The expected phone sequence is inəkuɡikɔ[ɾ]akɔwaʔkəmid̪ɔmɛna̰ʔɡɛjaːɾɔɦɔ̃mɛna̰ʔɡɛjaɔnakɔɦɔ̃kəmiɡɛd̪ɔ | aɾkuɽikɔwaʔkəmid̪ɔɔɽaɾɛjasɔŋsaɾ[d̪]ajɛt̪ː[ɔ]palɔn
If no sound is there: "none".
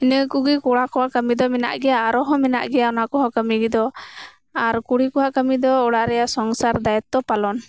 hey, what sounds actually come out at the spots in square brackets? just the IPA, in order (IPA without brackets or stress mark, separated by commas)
ɽ, d̪, ɔ